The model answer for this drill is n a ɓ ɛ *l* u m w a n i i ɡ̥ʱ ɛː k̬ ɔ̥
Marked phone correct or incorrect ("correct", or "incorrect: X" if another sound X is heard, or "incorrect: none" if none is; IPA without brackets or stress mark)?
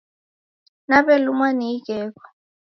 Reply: correct